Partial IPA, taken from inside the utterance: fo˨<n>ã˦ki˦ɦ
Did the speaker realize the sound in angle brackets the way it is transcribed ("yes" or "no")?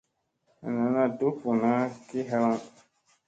yes